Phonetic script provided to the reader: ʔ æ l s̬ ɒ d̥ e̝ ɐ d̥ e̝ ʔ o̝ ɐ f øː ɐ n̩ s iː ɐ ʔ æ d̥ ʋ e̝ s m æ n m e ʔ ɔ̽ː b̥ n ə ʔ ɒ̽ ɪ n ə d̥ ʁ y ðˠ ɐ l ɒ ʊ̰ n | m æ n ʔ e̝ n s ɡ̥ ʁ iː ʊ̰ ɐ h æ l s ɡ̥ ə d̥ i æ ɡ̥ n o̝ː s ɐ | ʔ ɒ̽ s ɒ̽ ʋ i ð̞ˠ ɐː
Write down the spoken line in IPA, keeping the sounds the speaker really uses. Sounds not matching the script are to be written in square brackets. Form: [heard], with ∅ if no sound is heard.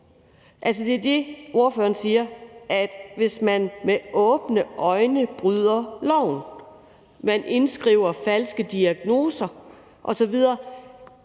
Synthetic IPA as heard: ʔ æ l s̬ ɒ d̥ e̝ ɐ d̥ e̝ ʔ o̝ ɐ f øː ɐ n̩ s iː ɐ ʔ æ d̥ ʋ e̝ s m æ n m e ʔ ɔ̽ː b̥ n ə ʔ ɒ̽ ɪ n ə [b̥] ʁ y ðˠ ɐ l ɒ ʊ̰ n | m æ n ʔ e̝ n s ɡ̥ ʁ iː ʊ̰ ɐ [f] æ l s ɡ̥ ə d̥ i æ ɡ̥ n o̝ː s ɐ | ʔ ɒ̽ s ɒ̽ ʋ i ð̞ˠ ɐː

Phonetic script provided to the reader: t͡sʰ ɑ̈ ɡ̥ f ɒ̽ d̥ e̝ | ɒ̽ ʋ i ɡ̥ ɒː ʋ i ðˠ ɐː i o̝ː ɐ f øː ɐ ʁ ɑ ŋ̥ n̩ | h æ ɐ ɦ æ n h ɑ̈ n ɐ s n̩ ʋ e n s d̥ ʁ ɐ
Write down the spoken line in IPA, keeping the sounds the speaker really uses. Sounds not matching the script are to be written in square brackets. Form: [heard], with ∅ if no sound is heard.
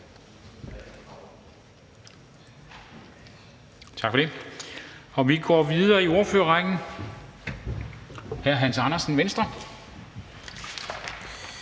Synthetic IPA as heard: t͡sʰ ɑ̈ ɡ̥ f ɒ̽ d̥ e̝ | ɒ̽ ʋ i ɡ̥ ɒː ʋ i ðˠ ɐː i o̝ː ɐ f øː ɐ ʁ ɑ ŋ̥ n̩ | h æ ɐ ɦ æ n [s] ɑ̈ n ɐ s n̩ ʋ e n s d̥ ʁ ɐ

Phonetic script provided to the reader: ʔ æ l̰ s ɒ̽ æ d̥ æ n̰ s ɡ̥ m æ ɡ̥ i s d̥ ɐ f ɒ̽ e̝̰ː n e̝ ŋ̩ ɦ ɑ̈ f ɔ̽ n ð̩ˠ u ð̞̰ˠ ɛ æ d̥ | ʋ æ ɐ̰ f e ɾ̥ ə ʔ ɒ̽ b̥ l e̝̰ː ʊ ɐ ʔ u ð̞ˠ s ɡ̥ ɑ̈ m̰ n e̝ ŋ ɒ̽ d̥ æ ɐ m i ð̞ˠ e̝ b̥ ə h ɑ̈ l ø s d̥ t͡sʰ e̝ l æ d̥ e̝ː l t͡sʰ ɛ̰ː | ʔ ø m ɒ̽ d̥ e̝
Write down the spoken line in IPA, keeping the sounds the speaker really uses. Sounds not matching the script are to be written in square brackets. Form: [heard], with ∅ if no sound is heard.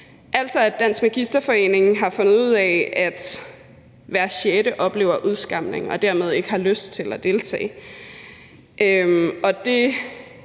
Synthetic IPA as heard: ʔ æ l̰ s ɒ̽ æ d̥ æ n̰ s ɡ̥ m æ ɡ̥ i s d̥ ɐ f ɒ̽ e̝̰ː n e̝ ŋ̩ ɦ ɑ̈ f ɔ̽ n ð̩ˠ u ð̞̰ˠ ɛ æ d̥ | ʋ æ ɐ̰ [ɕ] e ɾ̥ ə ʔ ɒ̽ b̥ l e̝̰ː ʊ ɐ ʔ u ð̞ˠ s ɡ̥ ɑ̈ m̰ n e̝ ŋ ɒ̽ d̥ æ ɐ m [e] ð̞ˠ e̝ [ɡ̥] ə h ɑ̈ l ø s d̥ t͡sʰ e̝ l æ d̥ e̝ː l t͡sʰ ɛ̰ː | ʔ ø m ɒ̽ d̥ e̝

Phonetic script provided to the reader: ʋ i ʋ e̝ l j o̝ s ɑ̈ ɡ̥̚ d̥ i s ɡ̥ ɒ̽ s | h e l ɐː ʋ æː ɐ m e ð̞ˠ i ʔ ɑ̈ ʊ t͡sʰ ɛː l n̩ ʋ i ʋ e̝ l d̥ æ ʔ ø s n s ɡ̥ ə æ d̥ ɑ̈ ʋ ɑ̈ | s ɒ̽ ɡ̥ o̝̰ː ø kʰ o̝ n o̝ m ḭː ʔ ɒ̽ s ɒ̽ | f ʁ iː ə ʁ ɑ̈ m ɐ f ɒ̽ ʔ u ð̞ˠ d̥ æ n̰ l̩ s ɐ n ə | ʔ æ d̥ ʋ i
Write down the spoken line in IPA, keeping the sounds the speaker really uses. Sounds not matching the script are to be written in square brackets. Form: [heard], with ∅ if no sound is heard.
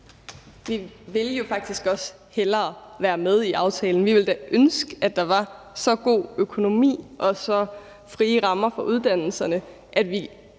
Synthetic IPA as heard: ʋ i ʋ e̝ l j o̝ [f] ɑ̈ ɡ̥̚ d̥ i s ɡ̥ ɒ̽ s | h e l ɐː ʋ æː ɐ m e ð̞ˠ i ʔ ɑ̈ ʊ t͡sʰ ɛː l n̩ ʋ i ʋ e̝ l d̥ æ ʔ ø [∅] n s ɡ̥ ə æ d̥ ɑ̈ ʋ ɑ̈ | s ɒ̽ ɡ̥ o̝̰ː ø kʰ o̝ n o̝ m ḭː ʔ ɒ̽ s ɒ̽ | f ʁ iː ə ʁ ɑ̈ m ɐ f ɒ̽ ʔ u ð̞ˠ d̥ æ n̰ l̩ s ɐ n ə | ʔ æ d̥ ʋ i

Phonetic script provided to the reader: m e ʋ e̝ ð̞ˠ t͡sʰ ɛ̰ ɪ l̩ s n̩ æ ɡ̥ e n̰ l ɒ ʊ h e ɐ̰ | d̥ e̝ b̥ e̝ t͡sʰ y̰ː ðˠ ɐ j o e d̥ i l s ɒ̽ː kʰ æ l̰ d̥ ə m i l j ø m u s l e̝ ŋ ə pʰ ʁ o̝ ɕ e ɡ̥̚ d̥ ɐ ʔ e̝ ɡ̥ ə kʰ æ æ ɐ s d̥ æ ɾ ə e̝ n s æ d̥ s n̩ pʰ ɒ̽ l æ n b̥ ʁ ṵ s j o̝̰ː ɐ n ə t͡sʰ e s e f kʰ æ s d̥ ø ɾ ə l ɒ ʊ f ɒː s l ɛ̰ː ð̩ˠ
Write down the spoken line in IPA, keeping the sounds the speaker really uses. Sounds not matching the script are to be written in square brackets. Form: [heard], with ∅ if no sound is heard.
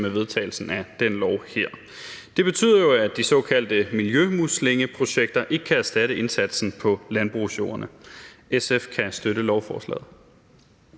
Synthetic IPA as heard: m e ʋ e̝ ð̞ˠ t͡sʰ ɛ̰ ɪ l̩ s n̩ æ [d̥] e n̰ l ɒ ʊ h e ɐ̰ | d̥ e̝ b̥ e̝ t͡sʰ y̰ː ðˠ ɐ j o [æ] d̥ i [∅] s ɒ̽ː kʰ æ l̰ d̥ ə m i l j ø m u s l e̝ ŋ ə pʰ ʁ o̝ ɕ e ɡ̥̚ d̥ ɐ ʔ e̝ ɡ̥ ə kʰ æ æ ɐ s d̥ æ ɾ ə e̝ n s æ d̥ s n̩ pʰ ɒ̽ l æ n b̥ ʁ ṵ s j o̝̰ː ɐ n ə [∅] e s e f kʰ æ s d̥ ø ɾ ə l ɒ ʊ f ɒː s l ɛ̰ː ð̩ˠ

